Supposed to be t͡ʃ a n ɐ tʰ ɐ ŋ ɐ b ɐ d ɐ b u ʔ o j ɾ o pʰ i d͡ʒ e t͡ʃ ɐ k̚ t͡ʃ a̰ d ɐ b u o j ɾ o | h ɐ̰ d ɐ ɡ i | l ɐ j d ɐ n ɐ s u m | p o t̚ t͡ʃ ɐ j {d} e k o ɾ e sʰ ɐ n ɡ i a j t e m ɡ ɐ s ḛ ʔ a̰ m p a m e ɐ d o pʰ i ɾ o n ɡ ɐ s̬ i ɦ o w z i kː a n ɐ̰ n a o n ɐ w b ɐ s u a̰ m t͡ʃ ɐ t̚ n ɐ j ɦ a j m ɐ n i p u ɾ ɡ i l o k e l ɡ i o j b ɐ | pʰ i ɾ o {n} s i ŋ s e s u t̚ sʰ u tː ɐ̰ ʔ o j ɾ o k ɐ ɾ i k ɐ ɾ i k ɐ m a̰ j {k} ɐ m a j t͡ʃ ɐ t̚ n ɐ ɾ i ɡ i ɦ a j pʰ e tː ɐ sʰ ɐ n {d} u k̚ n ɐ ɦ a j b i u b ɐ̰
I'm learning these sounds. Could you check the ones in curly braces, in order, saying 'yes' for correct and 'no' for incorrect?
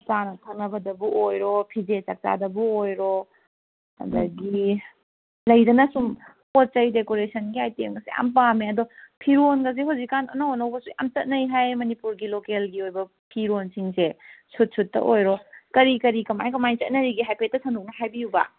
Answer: yes, yes, yes, yes

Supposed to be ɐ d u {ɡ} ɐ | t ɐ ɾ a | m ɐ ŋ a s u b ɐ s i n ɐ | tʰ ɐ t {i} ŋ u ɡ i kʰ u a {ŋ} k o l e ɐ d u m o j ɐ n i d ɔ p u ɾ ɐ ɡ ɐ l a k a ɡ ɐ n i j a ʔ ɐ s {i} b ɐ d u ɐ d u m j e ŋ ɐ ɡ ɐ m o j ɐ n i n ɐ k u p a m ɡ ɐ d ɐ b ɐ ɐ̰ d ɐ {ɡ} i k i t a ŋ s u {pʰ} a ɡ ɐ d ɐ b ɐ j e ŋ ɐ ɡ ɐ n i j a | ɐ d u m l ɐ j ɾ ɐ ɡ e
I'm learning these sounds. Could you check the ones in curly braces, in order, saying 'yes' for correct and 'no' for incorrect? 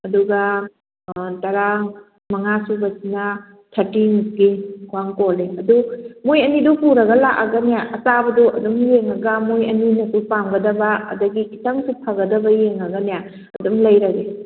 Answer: yes, yes, yes, no, yes, yes

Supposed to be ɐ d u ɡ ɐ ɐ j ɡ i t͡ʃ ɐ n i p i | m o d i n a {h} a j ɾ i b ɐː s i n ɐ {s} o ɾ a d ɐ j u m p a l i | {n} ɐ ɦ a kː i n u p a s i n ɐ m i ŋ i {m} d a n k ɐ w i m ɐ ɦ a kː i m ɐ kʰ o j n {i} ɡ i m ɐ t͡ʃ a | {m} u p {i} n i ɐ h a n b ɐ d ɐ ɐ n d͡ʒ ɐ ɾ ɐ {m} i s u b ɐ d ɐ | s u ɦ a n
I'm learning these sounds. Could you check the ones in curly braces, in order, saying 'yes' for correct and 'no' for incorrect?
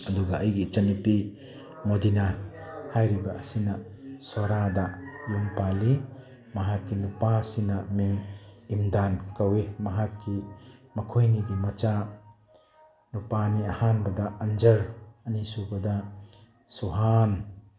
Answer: yes, yes, no, yes, yes, no, no, no

